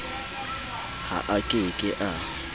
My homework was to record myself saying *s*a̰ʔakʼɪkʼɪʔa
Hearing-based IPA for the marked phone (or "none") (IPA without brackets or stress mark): h